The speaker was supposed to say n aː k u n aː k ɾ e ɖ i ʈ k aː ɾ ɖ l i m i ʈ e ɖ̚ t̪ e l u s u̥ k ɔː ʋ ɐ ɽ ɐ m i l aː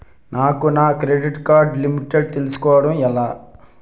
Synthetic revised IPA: n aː k u n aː k ɾ e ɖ i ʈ k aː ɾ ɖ l i m i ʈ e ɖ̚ t̪ e l u s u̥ k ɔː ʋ ɐ ɽ ɐ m ɛ l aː